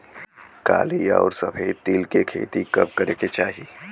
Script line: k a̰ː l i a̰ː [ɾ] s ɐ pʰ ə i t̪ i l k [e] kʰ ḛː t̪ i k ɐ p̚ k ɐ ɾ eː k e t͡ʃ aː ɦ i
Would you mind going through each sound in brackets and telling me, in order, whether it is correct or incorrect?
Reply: correct, correct

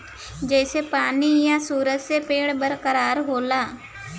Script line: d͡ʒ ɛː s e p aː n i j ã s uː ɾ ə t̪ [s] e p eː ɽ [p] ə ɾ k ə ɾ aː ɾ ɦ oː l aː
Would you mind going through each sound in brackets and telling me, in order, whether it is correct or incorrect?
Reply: correct, incorrect: b

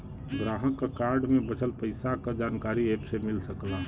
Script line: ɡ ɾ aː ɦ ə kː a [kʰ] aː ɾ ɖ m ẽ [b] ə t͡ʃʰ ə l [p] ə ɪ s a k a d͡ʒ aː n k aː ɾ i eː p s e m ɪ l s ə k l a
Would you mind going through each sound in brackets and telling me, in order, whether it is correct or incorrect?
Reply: incorrect: k, correct, correct

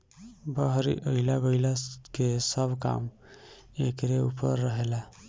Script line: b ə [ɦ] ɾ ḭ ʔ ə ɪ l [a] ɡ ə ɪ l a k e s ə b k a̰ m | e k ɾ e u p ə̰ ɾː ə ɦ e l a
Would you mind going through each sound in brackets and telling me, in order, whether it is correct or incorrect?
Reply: correct, correct

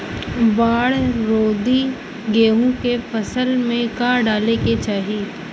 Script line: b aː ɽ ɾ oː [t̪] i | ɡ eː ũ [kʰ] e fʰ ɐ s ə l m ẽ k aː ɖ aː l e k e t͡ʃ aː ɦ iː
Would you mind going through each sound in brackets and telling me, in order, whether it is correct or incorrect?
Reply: incorrect: d̪, incorrect: k

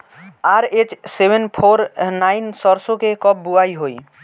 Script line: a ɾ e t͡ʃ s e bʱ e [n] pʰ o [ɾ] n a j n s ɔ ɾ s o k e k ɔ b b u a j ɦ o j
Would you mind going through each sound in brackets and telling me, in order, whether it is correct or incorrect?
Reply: correct, correct

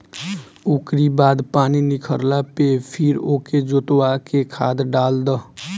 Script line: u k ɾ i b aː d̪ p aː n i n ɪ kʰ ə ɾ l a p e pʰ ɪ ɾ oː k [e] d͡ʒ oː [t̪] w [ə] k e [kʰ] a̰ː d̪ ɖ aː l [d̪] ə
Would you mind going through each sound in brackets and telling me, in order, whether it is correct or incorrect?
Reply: correct, correct, incorrect: a, correct, correct

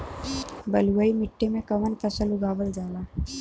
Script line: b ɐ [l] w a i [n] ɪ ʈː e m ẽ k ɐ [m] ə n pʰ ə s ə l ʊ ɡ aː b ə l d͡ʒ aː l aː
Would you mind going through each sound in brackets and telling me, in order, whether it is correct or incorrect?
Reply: correct, incorrect: m, correct

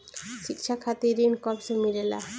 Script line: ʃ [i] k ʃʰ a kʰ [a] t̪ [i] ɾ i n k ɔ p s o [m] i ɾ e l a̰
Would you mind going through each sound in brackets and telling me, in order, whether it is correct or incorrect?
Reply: correct, correct, correct, correct

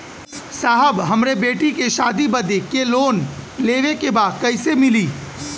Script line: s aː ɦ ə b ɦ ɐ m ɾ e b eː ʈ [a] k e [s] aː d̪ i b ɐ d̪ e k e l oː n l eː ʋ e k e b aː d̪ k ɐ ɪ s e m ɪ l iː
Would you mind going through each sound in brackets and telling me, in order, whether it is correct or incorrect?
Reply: incorrect: i, incorrect: ʃ

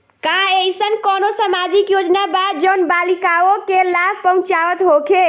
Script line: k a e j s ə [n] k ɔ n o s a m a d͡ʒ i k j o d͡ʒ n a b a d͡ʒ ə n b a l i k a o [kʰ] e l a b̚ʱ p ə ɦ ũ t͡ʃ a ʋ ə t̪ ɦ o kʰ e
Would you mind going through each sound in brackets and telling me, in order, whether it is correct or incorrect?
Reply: correct, incorrect: k

